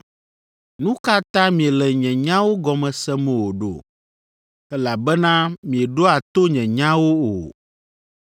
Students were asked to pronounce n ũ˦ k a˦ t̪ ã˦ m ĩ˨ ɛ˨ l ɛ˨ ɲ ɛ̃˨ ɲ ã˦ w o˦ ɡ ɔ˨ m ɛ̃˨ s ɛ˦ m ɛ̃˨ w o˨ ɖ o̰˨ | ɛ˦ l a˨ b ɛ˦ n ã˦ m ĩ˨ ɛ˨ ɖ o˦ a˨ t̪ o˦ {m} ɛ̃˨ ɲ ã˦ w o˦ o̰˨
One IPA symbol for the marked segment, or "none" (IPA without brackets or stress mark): ɲ